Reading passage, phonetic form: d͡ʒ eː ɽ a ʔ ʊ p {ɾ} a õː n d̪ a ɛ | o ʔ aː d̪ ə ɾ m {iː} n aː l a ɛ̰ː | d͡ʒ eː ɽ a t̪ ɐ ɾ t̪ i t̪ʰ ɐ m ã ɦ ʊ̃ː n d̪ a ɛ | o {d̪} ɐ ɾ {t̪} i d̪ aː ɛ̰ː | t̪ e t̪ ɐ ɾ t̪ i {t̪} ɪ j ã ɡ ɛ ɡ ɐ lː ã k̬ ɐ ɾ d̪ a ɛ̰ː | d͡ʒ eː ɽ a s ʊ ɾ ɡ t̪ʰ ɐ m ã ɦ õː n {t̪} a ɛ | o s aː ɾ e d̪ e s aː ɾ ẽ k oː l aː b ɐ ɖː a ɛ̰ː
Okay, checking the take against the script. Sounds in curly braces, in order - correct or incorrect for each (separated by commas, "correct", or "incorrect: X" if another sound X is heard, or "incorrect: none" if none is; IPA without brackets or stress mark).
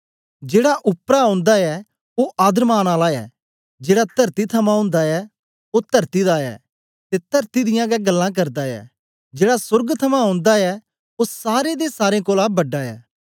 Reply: correct, incorrect: aː, incorrect: t̪, correct, incorrect: d̪, incorrect: d̪